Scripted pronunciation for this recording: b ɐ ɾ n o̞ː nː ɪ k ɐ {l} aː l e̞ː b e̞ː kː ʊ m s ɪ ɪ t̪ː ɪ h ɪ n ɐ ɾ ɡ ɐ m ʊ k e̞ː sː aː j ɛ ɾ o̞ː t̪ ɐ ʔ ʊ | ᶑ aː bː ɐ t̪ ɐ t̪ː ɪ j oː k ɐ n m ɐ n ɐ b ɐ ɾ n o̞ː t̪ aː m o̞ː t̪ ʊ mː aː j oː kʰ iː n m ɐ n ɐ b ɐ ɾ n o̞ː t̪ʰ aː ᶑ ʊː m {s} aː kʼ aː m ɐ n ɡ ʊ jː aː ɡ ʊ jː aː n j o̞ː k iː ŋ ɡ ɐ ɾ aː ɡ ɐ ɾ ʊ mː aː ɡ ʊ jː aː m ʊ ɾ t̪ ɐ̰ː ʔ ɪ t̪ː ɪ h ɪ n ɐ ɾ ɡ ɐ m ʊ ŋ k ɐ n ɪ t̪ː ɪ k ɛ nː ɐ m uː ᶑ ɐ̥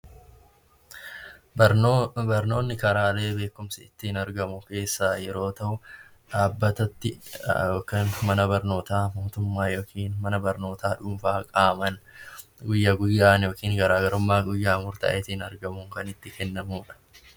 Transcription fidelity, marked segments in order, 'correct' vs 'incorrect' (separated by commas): incorrect, incorrect